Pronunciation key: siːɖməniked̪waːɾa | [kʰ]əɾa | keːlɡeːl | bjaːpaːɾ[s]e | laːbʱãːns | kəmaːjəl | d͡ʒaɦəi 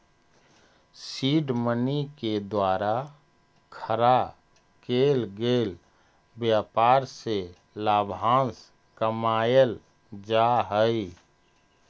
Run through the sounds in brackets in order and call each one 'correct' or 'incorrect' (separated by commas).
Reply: correct, correct